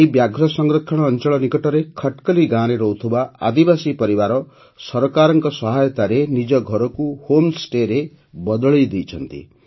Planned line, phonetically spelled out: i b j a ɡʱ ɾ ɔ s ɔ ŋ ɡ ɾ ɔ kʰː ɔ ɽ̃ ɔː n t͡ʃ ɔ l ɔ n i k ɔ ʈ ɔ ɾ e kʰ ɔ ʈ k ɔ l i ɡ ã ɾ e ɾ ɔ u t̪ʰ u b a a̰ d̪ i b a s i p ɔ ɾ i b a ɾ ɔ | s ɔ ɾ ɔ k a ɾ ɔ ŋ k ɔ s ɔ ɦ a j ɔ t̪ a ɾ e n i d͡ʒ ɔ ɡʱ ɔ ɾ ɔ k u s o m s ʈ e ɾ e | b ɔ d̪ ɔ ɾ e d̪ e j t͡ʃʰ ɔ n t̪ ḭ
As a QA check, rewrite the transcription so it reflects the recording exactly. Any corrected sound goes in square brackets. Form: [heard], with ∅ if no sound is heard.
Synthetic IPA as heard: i b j a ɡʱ ɾ ɔ s ɔ ŋ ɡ ɾ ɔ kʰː ɔ ɽ̃ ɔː n t͡ʃ ɔ [ɭ] ɔ n i k ɔ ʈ ɔ ɾ e kʰ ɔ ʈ k ɔ l i ɡ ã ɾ e ɾ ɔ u t̪ʰ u b a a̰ d̪ i b a s i p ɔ ɾ i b a ɾ ɔ | s ɔ ɾ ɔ k a ɾ ɔ ŋ k ɔ s ɔ ɦ a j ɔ t̪ a ɾ e n i d͡ʒ ɔ ɡʱ ɔ ɾ ɔ k u [h] o m s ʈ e ɾ e | b ɔ d̪ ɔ [ɭ] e d̪ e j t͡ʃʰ ɔ n t̪ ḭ